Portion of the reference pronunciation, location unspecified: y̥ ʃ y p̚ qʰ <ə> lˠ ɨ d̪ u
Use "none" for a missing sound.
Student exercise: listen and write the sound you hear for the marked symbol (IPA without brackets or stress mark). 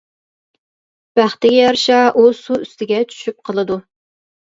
ə